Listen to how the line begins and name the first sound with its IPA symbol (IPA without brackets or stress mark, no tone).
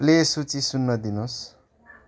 l